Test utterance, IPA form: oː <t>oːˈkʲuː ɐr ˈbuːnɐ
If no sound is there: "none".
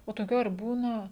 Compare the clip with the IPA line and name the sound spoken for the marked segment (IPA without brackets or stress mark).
t